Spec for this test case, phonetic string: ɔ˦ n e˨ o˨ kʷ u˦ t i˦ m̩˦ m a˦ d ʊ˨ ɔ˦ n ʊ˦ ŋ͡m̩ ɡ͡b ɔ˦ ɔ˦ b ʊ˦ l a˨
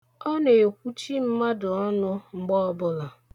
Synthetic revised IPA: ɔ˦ n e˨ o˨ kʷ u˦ t͡ʃ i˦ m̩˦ m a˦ d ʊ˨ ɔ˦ n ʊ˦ ŋ͡m̩ ɡ͡b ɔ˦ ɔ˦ b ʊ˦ l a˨